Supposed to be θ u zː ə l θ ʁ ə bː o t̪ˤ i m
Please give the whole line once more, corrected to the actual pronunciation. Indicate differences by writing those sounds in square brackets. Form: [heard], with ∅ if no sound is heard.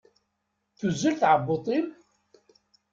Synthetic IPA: θ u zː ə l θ [ʕ] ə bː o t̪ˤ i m